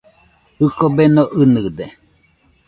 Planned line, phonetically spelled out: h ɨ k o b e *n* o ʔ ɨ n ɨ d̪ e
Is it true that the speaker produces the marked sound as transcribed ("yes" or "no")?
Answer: yes